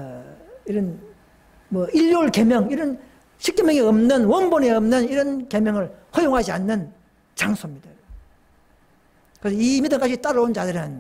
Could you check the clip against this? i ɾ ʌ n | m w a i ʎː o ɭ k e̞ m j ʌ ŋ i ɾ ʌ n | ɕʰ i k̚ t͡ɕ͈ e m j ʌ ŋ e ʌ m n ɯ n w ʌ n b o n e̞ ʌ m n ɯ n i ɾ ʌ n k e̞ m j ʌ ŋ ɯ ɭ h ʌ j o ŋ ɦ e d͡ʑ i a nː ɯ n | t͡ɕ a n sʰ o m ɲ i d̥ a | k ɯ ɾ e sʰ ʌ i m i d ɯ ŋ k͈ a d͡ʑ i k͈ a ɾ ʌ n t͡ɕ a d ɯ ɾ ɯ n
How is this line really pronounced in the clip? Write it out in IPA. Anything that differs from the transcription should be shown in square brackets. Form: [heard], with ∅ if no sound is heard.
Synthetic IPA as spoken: i ɾ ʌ n | m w [ʌ] i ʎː o ɭ k e̞ m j ʌ ŋ i ɾ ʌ n | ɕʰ i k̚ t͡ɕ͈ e m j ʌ ŋ e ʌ m n ɯ n w ʌ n b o n e̞ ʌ m n ɯ n i ɾ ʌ n k e̞ m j ʌ ŋ ɯ ɭ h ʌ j o ŋ ɦ [a] d͡ʑ i a nː ɯ n | t͡ɕ a [ŋ] sʰ o m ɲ i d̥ a | k ɯ ɾ e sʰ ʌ i m i d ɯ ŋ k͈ a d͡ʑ i [t͈] a ɾ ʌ n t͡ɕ a d ɯ ɾ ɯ n